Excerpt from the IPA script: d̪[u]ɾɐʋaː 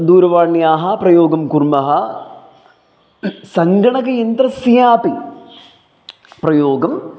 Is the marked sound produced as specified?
no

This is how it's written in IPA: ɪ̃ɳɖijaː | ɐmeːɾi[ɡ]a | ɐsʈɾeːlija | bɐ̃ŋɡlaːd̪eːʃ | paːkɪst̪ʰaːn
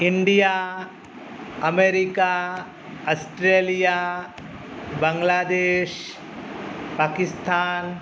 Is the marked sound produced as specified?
no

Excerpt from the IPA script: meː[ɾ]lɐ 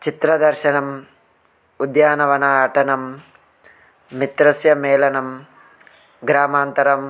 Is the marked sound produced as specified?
no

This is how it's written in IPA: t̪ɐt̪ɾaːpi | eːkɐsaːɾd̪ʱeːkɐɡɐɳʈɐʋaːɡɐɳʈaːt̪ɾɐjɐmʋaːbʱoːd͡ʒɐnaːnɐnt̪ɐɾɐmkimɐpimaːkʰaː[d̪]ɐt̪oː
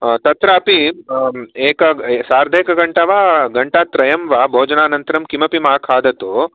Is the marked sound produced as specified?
yes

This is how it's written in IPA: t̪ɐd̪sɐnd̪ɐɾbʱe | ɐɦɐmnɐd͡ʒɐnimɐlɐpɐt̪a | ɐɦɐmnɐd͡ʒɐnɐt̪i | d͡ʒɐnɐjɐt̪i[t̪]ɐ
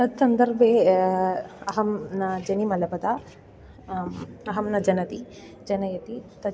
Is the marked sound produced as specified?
yes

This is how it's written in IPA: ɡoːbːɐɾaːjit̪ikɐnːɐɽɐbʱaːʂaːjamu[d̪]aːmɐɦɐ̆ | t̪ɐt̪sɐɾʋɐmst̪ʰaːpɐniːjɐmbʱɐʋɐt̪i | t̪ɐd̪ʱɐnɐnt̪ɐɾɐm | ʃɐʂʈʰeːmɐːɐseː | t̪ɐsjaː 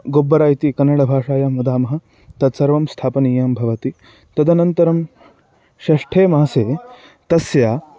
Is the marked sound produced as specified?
yes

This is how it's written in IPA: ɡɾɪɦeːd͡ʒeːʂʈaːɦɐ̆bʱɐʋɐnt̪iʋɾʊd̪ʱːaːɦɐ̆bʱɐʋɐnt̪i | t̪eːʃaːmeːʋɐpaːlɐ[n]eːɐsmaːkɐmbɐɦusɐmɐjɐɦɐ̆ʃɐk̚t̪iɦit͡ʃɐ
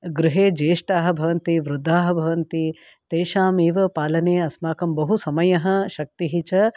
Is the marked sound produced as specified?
yes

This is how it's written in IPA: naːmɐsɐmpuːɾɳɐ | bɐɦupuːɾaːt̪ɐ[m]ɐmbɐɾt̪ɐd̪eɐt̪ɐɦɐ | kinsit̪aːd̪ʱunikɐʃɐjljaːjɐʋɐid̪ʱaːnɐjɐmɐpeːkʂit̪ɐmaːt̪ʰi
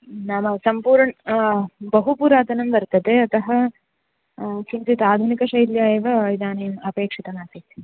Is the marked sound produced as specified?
no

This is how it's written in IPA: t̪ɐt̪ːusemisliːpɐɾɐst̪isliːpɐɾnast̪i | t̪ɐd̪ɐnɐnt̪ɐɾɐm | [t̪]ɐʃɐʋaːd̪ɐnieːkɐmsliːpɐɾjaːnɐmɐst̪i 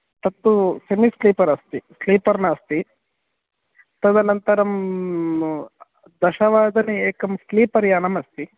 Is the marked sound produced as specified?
no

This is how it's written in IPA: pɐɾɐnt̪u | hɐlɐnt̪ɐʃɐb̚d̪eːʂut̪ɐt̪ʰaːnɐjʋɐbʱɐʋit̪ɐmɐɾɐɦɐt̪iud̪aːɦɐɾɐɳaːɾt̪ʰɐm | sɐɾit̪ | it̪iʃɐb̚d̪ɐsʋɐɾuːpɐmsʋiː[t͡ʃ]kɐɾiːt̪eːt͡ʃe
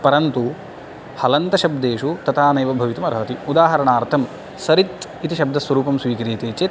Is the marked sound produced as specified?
no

